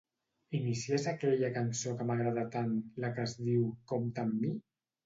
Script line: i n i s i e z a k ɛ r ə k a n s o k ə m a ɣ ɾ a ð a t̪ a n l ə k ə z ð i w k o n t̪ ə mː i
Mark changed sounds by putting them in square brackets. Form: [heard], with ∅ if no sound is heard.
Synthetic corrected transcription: i n i s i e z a k ɛ [ʎ] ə k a n s o k ə m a ɣ ɾ a ð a t̪ a n l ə k ə z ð i w k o [m] t̪ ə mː i